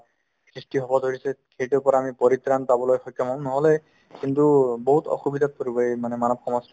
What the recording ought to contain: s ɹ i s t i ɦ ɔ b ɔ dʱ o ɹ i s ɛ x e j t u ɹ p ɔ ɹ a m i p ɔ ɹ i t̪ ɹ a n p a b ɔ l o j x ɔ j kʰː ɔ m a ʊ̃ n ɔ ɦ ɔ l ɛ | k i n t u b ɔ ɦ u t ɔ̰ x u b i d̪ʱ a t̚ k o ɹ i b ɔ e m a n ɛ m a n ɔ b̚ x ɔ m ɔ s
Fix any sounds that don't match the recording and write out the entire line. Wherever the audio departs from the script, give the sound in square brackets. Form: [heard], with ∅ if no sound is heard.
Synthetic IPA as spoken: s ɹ i s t i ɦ ɔ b ɔ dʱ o ɹ i s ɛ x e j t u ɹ p ɔ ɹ a m i p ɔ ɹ i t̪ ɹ a n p a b ɔ l o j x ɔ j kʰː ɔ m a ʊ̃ n ɔ ɦ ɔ l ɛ | k i n t u b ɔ ɦ u t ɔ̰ x u b i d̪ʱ a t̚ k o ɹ i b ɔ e m a n ɛ m a n ɔ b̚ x ɔ m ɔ s